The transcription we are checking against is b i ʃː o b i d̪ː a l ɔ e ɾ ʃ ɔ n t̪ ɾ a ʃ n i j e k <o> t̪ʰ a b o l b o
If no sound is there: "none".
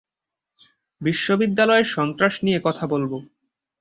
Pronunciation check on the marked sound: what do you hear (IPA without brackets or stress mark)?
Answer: ɔ